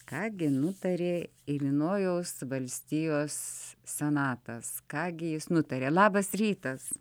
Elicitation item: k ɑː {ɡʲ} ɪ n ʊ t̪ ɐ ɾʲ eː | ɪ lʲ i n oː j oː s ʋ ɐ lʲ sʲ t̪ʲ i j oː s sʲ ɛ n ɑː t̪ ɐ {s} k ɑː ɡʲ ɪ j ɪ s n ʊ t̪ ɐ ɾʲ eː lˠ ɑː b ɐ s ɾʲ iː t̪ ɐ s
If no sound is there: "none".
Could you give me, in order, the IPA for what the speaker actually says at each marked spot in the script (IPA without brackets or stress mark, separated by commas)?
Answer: ɡʲ, s